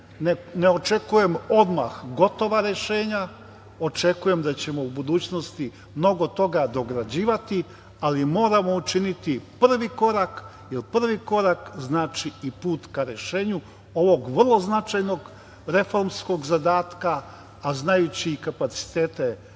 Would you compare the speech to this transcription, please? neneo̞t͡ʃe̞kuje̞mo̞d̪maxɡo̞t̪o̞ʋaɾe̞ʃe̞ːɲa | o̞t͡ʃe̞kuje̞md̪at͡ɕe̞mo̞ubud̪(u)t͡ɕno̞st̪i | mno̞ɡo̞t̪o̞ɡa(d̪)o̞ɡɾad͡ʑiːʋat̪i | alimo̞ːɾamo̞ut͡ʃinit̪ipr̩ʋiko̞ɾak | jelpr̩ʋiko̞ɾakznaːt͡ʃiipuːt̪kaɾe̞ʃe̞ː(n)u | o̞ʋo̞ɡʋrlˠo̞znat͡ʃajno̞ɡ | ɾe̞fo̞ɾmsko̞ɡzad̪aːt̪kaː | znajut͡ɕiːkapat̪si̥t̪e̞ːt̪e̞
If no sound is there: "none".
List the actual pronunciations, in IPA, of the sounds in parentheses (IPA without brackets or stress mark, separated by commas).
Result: uː, d̪, ɲ